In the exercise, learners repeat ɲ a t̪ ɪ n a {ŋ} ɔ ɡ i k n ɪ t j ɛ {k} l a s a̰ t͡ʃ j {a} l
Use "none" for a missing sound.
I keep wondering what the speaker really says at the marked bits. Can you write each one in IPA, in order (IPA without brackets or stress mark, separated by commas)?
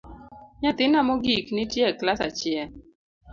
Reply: m, k, ɛ